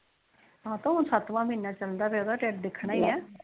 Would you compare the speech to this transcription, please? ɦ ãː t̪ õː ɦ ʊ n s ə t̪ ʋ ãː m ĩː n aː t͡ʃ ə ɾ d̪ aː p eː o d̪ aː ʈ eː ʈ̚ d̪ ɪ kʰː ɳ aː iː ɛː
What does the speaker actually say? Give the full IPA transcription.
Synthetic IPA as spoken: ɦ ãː t̪ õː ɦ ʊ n s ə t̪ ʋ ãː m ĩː n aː t͡ʃ ə l d̪ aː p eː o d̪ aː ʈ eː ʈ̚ d̪ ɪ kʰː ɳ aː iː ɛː